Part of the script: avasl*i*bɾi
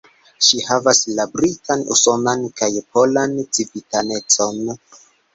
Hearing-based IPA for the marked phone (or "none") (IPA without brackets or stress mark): a